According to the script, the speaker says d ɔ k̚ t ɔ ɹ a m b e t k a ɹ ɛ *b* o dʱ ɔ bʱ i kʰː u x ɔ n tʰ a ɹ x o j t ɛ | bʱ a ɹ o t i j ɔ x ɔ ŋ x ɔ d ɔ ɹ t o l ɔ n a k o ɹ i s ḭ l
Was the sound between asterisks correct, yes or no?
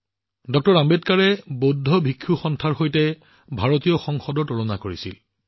yes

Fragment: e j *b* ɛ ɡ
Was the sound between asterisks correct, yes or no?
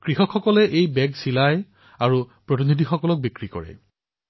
yes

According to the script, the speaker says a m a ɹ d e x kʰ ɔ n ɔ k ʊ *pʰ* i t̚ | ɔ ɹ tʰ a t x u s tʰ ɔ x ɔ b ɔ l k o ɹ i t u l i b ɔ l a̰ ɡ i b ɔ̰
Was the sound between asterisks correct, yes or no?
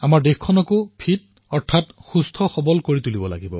yes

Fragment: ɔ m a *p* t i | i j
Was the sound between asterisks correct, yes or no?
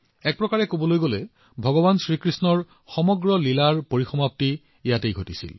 yes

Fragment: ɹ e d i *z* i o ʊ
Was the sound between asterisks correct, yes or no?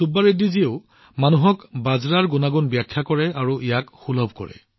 yes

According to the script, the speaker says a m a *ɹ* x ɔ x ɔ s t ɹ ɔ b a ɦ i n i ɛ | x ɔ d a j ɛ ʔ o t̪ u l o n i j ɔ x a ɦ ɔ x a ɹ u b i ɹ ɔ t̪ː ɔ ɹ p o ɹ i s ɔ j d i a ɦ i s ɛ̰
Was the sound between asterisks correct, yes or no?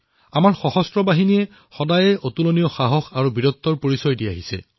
yes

